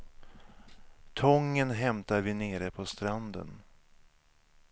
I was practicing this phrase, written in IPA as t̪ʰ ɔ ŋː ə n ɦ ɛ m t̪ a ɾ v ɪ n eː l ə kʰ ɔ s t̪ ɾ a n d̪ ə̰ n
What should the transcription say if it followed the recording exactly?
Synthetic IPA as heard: t̪ʰ ɔ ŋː ə n ɦ ɛ m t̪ a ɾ v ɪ n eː ɾ ə pʰ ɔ s t̪ ɾ a n d̪ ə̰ n